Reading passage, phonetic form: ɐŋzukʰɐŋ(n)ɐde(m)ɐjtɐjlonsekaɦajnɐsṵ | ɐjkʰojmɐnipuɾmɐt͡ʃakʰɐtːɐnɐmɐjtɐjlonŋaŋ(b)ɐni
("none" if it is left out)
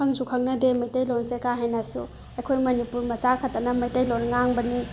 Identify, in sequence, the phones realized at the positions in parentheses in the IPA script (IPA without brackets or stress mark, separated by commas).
n, m, b